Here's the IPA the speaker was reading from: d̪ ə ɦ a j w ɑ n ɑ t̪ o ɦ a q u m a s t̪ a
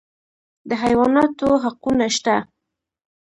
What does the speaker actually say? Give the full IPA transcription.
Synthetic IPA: d̪ ə ɦ a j w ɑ n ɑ t̪ o ɦ a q u n a ʃ t̪ a

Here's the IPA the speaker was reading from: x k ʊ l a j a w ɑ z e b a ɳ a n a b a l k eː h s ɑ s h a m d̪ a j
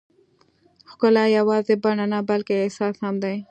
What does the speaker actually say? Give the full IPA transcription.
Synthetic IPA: x k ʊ l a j a w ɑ z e b a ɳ a n a b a l k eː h s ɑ s h a m d̪ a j

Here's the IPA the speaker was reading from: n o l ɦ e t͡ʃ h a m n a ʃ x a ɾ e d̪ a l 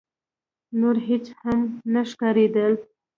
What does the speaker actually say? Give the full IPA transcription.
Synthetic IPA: n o ɾ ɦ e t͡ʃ h a m n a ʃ k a ɾ e d̪ ə l

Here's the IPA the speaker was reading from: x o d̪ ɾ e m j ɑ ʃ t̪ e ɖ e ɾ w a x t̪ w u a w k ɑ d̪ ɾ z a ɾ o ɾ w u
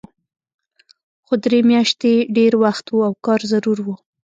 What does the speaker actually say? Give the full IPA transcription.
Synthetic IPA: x o d̪ ɾ e m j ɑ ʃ t̪ e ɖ e ɾ w a x t̪ w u a w k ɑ ɾ z a ɾ u ɾ w u

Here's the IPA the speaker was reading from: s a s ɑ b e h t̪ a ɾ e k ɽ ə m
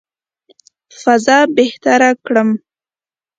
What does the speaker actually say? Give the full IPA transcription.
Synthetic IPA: f a z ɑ b e h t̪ a ɾ a k ɽ ə m

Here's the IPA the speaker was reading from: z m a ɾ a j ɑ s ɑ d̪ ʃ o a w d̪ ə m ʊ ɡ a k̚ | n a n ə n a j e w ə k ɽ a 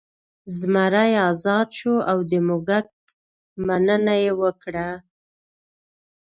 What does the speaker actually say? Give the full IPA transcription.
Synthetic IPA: z m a ɾ a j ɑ z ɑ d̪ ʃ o a w d̪ ə m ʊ ɡ a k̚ | m a n ə n a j e w ə k ɽ a

